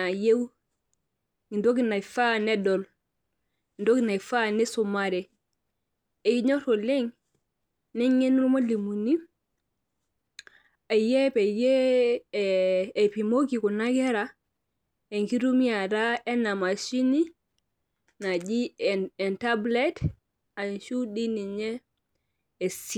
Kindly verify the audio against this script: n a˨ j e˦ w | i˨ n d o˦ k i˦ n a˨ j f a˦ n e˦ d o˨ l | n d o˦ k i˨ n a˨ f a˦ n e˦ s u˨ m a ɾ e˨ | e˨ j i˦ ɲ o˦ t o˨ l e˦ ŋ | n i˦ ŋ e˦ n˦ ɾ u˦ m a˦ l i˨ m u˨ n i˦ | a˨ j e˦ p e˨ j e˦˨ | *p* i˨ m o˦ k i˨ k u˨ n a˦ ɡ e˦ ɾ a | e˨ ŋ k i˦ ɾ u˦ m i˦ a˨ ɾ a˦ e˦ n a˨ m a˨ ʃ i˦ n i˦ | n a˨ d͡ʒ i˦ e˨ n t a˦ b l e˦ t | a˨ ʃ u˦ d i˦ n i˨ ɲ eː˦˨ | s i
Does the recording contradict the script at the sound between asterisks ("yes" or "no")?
no